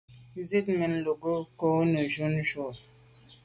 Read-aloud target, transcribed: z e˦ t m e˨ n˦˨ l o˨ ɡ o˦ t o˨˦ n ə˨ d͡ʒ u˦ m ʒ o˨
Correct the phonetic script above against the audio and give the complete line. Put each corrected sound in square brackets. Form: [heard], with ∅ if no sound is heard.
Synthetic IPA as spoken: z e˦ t m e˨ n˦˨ l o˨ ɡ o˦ [k] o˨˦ n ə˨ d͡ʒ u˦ [n] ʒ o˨